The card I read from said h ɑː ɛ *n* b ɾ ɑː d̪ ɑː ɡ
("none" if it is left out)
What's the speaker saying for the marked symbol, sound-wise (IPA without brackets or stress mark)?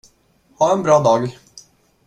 n